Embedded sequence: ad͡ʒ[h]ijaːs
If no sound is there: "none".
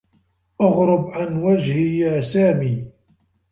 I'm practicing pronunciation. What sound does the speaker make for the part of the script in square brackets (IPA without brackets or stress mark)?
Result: h